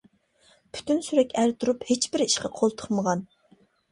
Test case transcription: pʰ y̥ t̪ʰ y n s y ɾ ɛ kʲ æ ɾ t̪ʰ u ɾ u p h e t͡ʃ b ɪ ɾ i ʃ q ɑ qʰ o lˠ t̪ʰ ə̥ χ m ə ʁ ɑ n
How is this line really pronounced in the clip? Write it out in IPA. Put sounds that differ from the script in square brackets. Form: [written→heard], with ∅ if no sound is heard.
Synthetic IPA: pʰ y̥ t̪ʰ y n s y ɾ ɛ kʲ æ ɾ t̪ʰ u ɾ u p h e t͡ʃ b ɪ ɾ i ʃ q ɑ qʰ o lˠ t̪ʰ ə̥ χ m ə ʁ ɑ n